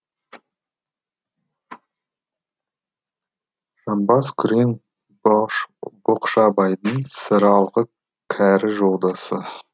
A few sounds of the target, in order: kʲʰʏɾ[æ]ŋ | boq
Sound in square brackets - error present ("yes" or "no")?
yes